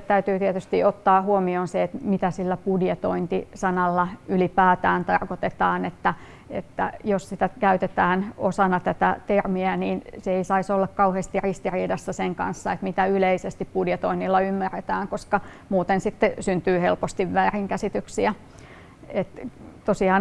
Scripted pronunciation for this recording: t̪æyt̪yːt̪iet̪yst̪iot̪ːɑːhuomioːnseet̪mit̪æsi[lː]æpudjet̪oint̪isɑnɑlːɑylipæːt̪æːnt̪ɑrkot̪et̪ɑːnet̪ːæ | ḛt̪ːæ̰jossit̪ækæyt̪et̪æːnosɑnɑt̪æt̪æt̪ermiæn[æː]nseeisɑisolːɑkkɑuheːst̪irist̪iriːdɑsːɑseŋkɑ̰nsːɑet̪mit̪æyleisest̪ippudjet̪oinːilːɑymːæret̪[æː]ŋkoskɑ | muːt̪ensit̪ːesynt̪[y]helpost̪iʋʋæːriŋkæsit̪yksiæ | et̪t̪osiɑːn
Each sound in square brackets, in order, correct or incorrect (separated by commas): correct, incorrect, correct, incorrect